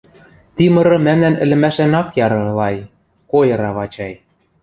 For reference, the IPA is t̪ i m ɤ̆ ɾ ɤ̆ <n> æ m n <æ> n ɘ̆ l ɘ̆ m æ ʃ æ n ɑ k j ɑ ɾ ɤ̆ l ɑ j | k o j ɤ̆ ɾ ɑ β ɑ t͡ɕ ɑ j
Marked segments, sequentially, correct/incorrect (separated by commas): incorrect, correct